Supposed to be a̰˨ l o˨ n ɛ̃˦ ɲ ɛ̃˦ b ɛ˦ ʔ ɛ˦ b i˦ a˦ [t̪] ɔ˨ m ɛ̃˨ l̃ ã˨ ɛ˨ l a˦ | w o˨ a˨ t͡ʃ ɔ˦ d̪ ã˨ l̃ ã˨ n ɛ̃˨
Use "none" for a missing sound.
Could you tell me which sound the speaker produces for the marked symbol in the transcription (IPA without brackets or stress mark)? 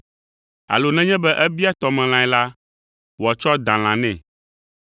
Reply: t̪